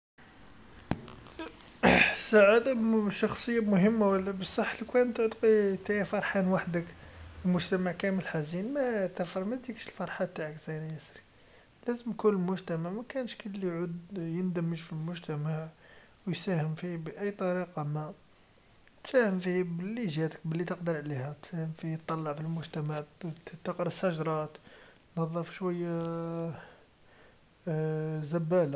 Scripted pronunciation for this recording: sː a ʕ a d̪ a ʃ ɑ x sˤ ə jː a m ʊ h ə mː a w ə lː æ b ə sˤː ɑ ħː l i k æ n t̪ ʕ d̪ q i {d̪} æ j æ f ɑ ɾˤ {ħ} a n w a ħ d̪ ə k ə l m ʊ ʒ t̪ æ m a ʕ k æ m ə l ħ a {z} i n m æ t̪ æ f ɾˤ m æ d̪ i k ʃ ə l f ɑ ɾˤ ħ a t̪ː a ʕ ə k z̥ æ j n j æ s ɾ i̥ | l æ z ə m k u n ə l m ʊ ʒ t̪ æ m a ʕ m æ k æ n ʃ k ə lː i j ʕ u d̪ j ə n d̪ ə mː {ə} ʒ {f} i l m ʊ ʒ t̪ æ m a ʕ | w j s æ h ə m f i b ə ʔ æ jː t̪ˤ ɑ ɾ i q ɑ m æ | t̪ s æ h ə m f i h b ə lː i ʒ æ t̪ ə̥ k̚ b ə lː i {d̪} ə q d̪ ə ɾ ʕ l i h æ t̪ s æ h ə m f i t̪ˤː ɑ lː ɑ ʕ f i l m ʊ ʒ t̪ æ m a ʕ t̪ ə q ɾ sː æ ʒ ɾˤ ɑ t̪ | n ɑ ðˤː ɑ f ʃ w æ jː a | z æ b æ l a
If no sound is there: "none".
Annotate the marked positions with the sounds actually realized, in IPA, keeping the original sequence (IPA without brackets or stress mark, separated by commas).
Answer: t̪, ħ, z, ə, f, t̪